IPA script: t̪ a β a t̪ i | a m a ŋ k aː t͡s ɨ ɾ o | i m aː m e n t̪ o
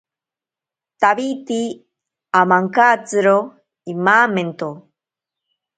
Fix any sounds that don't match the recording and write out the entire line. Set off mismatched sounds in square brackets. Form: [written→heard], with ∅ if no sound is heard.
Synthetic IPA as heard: t̪ a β [a→i] t̪ i | a m a ŋ k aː t͡s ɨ ɾ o | i m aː m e n t̪ o